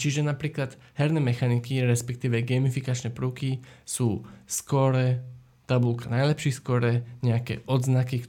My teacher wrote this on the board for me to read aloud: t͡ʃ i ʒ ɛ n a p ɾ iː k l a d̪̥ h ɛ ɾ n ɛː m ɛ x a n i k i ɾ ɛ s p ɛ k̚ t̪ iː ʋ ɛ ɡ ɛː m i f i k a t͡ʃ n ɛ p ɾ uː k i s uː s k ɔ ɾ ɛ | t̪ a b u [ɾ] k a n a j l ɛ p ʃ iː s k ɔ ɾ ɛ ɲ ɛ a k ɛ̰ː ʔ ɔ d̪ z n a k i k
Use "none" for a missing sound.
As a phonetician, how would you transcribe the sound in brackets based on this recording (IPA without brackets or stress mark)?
l